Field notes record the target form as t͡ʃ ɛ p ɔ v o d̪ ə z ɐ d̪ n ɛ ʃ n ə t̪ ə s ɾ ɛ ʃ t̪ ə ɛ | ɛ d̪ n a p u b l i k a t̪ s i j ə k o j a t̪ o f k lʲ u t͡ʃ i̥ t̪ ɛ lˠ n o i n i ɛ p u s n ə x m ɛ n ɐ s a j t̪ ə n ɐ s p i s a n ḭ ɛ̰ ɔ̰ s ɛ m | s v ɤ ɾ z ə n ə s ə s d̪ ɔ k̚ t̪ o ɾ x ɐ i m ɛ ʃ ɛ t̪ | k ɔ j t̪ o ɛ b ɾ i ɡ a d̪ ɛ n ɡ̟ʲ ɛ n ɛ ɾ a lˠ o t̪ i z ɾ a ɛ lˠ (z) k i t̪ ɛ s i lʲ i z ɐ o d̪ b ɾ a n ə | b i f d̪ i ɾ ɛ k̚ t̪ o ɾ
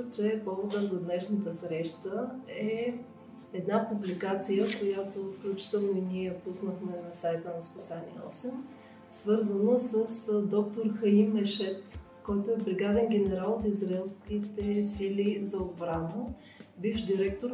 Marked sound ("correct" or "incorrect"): incorrect